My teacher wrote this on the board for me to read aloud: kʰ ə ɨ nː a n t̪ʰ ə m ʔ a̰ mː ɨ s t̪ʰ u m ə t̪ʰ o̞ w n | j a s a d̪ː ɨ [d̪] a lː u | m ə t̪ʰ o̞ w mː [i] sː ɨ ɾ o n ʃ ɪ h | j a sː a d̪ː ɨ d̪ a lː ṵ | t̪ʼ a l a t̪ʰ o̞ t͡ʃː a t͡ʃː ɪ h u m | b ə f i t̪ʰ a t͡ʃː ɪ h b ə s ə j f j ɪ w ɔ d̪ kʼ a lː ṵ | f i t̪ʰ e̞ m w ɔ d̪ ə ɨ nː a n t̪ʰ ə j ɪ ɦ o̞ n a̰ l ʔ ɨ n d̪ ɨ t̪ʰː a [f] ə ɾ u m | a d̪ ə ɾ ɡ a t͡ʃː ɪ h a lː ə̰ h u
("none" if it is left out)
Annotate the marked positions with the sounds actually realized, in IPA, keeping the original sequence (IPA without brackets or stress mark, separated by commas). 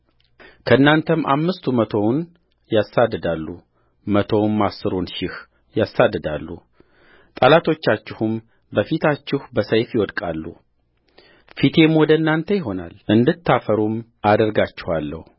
d̪, a, f